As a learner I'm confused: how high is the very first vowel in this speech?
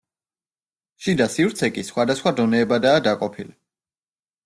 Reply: high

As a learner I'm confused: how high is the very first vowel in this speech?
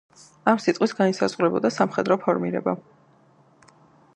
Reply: low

